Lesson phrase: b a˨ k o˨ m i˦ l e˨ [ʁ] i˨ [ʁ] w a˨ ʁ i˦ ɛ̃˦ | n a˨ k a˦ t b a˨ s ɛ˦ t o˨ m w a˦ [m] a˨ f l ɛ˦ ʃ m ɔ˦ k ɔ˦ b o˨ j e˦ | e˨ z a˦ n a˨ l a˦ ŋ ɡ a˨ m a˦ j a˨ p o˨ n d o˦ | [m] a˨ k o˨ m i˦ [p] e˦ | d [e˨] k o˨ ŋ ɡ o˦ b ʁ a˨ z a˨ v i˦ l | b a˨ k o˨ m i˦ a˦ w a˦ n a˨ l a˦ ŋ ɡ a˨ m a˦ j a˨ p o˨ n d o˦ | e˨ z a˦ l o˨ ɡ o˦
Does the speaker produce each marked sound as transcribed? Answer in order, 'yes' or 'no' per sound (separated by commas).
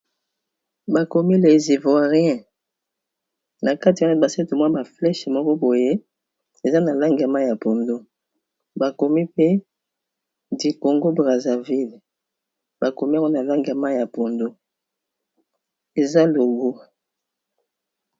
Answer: no, no, no, no, yes, no